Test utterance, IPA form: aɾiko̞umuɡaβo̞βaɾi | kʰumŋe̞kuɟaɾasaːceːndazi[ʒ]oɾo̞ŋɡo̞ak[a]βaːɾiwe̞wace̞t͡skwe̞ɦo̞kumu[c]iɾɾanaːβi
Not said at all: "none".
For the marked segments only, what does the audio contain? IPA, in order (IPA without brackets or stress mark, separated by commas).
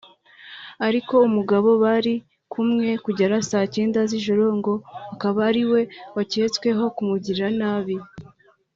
ʒ, a, ɟ